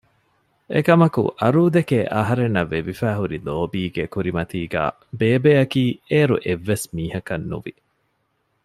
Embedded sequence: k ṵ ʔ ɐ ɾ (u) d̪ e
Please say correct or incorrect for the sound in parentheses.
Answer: incorrect: uː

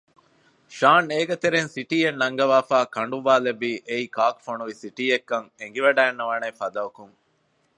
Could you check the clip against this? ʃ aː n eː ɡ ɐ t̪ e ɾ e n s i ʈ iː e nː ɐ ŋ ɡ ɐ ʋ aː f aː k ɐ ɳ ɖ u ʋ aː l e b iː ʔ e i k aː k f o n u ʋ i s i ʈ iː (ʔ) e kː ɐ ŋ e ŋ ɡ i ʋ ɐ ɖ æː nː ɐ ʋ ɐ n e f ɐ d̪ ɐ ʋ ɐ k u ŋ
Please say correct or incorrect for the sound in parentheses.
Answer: incorrect: none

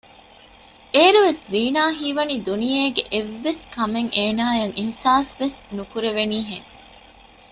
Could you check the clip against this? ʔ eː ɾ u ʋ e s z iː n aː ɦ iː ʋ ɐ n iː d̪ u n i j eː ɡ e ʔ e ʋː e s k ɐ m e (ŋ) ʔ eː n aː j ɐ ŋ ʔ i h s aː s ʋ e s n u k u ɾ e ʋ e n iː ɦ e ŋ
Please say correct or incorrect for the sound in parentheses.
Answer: correct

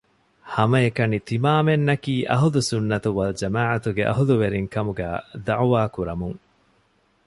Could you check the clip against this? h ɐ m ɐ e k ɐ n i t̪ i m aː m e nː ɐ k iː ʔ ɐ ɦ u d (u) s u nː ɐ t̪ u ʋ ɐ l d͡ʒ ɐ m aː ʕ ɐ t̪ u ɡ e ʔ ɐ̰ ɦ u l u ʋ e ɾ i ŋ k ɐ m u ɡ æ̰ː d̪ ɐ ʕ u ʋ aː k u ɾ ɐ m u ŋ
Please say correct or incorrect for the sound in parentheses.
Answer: correct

